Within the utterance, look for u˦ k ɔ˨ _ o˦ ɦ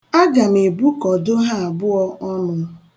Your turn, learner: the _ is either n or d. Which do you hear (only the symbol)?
d